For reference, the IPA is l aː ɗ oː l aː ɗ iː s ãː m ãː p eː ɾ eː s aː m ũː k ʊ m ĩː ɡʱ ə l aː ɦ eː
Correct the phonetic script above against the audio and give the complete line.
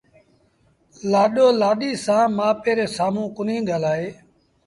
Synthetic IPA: l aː ɗ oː l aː ɗ iː s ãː m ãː p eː ɾ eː s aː m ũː k ʊ n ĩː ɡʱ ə l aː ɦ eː